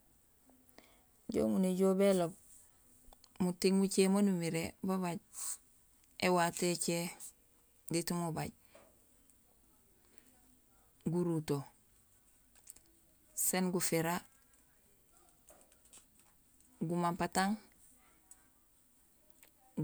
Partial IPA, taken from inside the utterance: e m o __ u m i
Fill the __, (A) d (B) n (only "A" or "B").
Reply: B